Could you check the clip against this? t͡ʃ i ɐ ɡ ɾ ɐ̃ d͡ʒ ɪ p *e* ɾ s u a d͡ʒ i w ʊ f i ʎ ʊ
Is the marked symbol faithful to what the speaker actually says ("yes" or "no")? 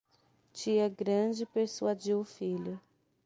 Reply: yes